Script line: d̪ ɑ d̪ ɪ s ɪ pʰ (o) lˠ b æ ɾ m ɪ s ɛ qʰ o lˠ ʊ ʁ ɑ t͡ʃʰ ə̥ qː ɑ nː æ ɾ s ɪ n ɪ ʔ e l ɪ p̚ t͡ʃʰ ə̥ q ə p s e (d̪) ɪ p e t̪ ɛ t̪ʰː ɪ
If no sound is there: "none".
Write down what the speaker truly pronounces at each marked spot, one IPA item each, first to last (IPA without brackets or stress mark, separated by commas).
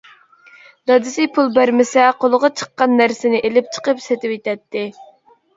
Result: u, t̪